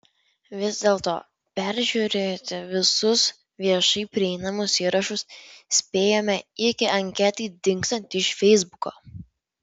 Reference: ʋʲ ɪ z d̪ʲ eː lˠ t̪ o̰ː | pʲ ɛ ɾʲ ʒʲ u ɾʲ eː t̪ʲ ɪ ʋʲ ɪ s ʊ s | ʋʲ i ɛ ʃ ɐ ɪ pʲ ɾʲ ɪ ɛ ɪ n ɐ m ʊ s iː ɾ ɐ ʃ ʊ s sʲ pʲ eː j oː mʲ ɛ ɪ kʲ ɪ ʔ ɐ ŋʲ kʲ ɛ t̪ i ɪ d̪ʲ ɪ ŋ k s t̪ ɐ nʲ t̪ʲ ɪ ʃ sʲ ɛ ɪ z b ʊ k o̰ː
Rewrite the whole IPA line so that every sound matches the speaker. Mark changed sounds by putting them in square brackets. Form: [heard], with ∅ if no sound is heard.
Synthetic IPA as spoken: ʋʲ ɪ z d̪ʲ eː lˠ t̪ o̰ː | pʲ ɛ ɾʲ ʒʲ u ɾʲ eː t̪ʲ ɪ ʋʲ ɪ s ʊ s | ʋʲ i ɛ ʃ ɐ ɪ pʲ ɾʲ ɪ ɛ ɪ n ɐ m ʊ s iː ɾ ɐ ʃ ʊ s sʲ pʲ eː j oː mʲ ɛ ɪ kʲ ɪ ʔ ɐ ŋʲ kʲ ɛ t̪ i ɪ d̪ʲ ɪ ŋ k s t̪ ɐ nʲ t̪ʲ ɪ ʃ [fʲ] ɛ ɪ z b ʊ k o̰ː